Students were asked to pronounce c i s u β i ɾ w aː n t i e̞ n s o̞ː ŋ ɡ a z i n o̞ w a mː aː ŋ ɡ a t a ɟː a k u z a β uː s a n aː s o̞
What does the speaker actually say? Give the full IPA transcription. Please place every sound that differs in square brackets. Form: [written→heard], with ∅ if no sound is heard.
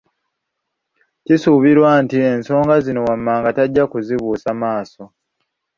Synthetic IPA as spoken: c i s u β i ɾ w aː n t i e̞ n s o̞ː ŋ ɡ a z i n o̞ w a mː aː ŋ ɡ a t a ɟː a k u z [a→i] β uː s a [n→m] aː s o̞

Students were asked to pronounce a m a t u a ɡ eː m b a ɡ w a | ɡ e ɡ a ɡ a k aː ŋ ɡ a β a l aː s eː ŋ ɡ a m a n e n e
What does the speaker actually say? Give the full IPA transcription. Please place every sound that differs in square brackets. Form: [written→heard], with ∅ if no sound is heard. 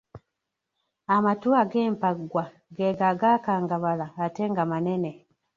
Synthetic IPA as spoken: a m a t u a ɡ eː m [b→p] a ɡ w a | ɡ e ɡ a ɡ a k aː ŋ ɡ a β a l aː [s→t] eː ŋ ɡ a m a n e n e

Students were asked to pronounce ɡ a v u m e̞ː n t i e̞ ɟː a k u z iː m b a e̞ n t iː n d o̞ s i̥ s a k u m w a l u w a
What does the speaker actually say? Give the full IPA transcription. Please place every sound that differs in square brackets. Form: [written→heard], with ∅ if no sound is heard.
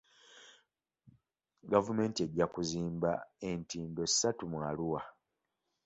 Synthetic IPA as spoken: ɡ a v u m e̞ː n t i e̞ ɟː a k u z iː m b a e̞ n t iː n d o̞ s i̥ s a [k→t] u m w a l u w a

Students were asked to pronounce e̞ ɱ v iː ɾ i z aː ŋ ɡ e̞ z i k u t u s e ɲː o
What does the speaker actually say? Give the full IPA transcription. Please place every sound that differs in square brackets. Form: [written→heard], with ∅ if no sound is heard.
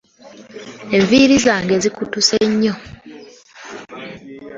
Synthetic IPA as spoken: e̞ ɱ v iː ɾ i z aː ŋ ɡ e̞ z i k u t u s e ɲː o

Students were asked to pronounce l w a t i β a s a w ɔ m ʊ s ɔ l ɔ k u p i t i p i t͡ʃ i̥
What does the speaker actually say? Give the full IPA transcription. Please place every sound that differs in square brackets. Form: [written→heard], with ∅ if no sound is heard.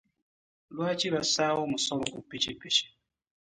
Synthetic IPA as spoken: l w a [t→t͡ʃ] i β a s a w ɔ m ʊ s ɔ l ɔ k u p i [t→t͡ʃ] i p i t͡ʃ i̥

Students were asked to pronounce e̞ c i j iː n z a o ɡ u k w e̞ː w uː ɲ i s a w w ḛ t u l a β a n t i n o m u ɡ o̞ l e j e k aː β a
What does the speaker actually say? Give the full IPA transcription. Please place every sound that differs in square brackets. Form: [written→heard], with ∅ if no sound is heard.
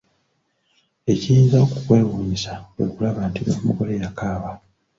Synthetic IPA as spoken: e̞ c i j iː n z a o [ɡ→k] u k w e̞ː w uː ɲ i s a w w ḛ [t→k] u l a β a n t i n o m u ɡ o̞ l e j [e→a] k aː β a

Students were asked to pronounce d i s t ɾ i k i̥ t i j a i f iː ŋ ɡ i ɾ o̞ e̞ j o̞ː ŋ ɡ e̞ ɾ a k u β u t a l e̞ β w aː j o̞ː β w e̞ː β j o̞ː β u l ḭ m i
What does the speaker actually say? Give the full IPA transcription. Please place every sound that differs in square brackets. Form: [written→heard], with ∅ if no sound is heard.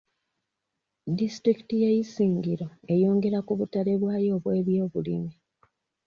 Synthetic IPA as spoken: d i s t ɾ i k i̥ t i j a i [f→s] iː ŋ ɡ i ɾ o̞ e̞ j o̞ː ŋ ɡ e̞ ɾ a k u β u t a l e̞ β w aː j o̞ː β w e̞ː β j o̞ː β u l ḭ m i

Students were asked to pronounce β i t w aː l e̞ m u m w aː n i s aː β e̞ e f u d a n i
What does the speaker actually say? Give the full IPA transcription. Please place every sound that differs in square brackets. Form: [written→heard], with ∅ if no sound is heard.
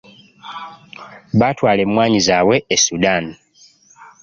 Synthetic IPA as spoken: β [i→a] t w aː l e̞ m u m w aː [n→ɲ] i [s→z] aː [β→w] e̞ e [f→s] u d a n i

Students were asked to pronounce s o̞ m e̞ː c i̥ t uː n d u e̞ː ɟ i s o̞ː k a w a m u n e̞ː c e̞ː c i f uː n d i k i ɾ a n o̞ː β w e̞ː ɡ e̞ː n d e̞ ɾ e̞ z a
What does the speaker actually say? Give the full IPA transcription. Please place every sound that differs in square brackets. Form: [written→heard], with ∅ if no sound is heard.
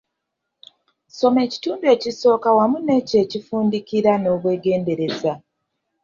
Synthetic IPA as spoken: s o̞ m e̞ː c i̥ t uː n d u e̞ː [ɟ→c] i s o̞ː k a w a m u n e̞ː c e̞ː c i f uː n d i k i ɾ a n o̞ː β w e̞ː ɡ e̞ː n d e̞ ɾ e̞ z a

